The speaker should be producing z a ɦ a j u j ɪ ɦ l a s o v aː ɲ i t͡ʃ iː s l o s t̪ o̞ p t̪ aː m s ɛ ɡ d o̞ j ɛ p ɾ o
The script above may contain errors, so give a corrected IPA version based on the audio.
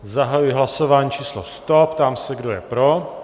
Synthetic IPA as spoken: z a ɦ a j u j ɪ ɦ l a s o v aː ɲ i t͡ʃ iː s l o s t̪ o̞ p t̪ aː m s ɛ ɡ d o̞ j ɛ p ɾ o